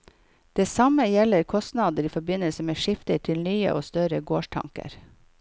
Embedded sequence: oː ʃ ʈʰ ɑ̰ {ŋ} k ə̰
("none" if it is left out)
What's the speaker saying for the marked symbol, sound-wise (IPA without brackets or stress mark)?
ŋ